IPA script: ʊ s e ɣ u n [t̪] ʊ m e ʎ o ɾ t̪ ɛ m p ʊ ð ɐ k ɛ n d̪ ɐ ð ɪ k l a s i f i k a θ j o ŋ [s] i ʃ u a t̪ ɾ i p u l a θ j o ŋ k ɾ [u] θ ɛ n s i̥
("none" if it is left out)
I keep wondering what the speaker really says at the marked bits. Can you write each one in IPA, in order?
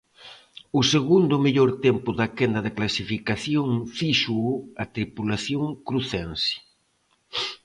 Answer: d̪, f, u

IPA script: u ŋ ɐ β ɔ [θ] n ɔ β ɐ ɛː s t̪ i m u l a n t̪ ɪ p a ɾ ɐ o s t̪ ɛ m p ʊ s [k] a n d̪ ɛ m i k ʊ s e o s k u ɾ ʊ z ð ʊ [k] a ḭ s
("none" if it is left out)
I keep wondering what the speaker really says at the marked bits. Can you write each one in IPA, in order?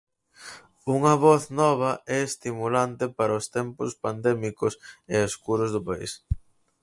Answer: θ, p, p

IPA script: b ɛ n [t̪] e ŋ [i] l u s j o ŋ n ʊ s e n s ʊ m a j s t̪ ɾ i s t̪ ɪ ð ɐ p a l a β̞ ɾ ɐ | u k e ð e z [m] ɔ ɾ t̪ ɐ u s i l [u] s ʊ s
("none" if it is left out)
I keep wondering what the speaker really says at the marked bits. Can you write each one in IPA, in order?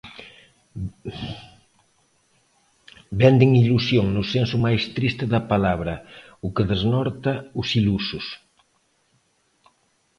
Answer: d̪, i, n, u

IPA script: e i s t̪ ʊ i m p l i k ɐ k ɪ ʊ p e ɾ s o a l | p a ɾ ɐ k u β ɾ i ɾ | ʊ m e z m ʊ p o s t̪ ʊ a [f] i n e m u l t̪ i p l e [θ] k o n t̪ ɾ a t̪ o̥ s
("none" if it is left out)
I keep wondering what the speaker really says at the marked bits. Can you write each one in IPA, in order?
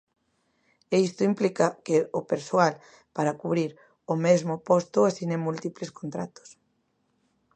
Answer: s, s

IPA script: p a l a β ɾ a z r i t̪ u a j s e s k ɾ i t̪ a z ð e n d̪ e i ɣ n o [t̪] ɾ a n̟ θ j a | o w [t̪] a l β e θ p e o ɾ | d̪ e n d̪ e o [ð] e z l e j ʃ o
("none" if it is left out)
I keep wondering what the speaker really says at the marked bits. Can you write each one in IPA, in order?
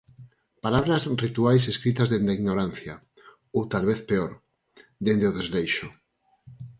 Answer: none, t̪, ð

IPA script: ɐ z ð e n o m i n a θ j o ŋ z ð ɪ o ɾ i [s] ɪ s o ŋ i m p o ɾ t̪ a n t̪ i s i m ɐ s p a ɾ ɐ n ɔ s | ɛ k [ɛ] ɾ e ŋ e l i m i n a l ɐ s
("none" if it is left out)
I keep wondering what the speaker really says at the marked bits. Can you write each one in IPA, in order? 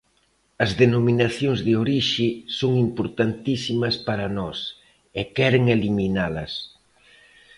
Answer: ʃ, ɛ

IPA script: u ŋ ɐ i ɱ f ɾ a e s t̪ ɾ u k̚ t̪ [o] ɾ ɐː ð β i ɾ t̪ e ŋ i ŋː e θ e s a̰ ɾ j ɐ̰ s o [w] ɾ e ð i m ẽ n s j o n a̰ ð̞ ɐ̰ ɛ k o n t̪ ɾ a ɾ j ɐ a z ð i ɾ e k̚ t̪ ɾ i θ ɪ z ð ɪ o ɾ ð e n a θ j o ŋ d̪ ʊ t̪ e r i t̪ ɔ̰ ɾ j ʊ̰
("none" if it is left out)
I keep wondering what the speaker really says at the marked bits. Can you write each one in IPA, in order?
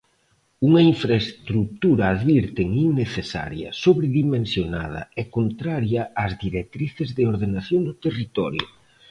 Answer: u, β

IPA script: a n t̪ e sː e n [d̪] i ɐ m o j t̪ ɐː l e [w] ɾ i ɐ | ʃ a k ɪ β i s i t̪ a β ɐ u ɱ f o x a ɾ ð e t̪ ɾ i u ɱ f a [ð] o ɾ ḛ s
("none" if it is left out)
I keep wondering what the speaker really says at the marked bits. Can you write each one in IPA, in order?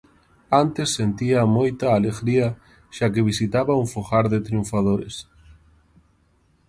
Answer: t̪, ɣ, ð

